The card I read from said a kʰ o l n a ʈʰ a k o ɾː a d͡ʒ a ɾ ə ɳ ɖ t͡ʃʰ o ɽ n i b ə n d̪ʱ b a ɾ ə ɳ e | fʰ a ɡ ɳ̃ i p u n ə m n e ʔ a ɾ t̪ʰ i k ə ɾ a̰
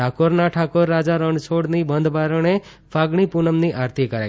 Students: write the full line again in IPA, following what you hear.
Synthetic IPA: a k o ɾ n a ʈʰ a k o ɾː a d͡ʒ a ɾ ə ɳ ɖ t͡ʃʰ o ɽ n i b ə n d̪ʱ b a ɾ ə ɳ e | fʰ a ɡ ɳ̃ i p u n ə m n i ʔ a ɾ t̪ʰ i k ə ɾ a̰

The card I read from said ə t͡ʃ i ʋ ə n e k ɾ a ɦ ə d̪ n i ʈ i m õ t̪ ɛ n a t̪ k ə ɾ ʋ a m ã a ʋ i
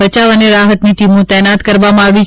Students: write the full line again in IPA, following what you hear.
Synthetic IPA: ə t͡ʃ a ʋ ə n e ɾ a ɦ ə t̪ n i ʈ i m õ t̪ ɛ n a t̪ k ə ɾ ʋ a m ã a ʋ i

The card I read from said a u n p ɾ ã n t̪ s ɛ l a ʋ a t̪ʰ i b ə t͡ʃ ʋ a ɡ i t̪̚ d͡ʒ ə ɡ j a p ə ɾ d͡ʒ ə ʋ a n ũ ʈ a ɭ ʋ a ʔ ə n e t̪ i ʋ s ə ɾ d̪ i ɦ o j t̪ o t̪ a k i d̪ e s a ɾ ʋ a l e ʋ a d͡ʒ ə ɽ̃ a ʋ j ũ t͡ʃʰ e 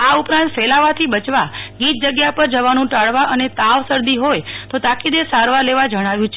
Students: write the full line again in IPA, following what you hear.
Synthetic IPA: a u p ɾ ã n t̪ f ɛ l a ʋ a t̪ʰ i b ə t͡ʃ ʋ a ɡ i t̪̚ d͡ʒ ə ɡ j a p ə ɾ d͡ʒ ə ʋ a n ũ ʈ a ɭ ʋ a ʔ ə n e t̪ a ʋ s ə ɾ d̪ i ɦ o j t̪ o t̪ a k i d̪ e s a ɾ ʋ a l e ʋ a d͡ʒ ə ɽ̃ a ʋ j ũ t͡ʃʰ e

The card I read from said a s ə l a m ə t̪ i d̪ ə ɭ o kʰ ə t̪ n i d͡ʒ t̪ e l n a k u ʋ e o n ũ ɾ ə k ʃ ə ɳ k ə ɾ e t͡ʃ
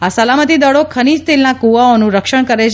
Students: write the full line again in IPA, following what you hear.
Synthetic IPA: a s ə l a m ə t̪ i d̪ ə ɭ o kʰ ə n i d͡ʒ t̪ e l n a k u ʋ a o n ũ ɾ ə k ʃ ə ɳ k ə ɾ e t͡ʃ

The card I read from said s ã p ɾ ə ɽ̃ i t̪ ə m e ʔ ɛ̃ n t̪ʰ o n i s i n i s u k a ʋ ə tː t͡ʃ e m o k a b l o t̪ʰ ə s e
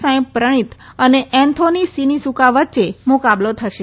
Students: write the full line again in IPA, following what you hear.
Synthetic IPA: s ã p ɾ ə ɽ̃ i t̪ ə n e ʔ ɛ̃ n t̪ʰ o n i s i n i s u k a ʋ ə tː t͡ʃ e m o k a b l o t̪ʰ ə ʃ e

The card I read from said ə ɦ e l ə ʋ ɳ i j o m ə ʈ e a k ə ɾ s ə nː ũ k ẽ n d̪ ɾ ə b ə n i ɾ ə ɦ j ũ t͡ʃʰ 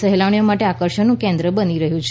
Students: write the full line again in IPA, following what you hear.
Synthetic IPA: ə ɦ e l a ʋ ɳ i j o m a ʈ e a k ə ɾ ʃ ə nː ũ k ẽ n d̪ ɾ ə b ə n i ɾ ə ɦ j ũ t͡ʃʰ

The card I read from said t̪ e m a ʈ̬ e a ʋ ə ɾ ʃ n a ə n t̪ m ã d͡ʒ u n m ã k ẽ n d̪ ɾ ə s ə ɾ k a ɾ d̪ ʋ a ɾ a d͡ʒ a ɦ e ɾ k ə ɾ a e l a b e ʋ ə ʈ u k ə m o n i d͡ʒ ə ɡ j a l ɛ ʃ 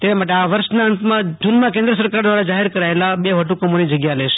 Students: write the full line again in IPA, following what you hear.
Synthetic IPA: t̪ e m a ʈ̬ e a ʋ ə ɾ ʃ n a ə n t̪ m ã d͡ʒ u n m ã k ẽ n d̪ ɾ ə s ə ɾ k a ɾ d̪ ʋ a ɾ a d͡ʒ a ɦ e ɾ k ə ɾ a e l a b e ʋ ə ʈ u k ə m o n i d͡ʒ ə ɡ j a l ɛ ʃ

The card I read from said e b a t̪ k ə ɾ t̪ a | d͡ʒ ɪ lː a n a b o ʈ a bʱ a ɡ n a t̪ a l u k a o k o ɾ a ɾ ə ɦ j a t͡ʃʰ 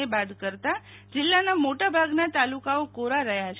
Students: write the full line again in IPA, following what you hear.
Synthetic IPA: e b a d̪ k ə ɾ t̪ a | d͡ʒ ɪ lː a n a m o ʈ a bʱ a ɡ n a t̪ a l u k a o k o ɾ a ɾ ə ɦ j a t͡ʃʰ

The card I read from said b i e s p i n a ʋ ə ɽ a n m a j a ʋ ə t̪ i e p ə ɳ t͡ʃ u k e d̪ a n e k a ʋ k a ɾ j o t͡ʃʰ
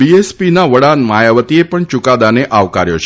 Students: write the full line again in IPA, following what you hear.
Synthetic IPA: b i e s p i n a ʋ ə ɽ a n m a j a ʋ ə t̪ i e p ə ɳ t͡ʃ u k a d̪ a n e ʔ a ʋ k a ɾ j o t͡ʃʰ

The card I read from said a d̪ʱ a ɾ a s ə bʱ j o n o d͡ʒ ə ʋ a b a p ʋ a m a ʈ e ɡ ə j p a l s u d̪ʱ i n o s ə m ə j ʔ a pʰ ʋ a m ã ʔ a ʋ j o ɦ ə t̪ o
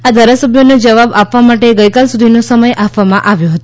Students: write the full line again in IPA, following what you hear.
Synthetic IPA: a d̪ʱ a ɾ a s ə bʱ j o n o d͡ʒ ə ʋ a b a p ʋ a m a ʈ e ɡ ə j k a l s u d̪ʱ i n o s ə m ə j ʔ a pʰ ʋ a m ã ʔ a ʋ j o ɦ ə t̪ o

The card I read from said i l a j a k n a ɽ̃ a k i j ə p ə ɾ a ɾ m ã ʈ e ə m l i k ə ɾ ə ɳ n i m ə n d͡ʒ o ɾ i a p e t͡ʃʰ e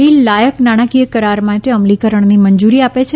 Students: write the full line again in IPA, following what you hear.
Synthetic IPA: i l a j ə k n a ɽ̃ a k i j ə k ə ɾ a ɾ m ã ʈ e ə m l i k ə ɾ ə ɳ n i m ə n d͡ʒ u ɾ i a p e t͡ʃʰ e

